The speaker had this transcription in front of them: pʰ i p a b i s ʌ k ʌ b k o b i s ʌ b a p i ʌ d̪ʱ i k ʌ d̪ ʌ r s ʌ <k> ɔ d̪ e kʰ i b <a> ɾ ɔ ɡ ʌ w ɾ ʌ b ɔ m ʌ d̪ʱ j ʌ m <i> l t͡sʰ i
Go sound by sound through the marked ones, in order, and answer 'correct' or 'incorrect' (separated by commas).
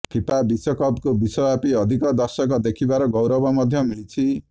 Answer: correct, correct, correct